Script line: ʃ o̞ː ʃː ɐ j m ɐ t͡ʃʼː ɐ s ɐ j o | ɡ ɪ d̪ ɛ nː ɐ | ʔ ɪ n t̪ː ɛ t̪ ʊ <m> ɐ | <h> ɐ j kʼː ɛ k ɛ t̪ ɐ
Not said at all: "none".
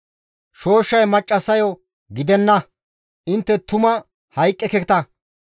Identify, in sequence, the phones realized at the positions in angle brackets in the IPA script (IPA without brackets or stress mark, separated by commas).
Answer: m, h